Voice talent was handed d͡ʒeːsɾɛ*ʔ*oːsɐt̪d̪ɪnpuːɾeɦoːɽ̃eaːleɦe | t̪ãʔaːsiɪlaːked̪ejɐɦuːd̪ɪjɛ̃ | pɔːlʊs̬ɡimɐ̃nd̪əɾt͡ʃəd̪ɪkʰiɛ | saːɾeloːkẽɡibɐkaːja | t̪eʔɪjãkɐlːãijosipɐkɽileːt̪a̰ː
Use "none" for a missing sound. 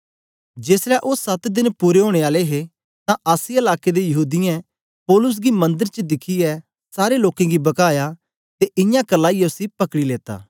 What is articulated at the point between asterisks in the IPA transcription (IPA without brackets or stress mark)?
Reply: ʔ